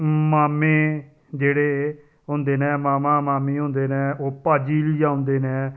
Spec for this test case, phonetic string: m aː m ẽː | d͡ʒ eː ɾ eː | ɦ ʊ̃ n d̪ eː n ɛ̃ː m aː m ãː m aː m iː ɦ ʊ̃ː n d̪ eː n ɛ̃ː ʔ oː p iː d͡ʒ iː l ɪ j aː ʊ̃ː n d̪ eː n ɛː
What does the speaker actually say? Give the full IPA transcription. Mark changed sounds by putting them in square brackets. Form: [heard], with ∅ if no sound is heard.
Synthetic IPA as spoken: m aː m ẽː | d͡ʒ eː [ɽ] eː | ɦ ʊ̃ n d̪ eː n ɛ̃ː m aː m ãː m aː m iː ɦ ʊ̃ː n d̪ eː n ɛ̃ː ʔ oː p [aː] d͡ʒ iː l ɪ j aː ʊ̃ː n d̪ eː n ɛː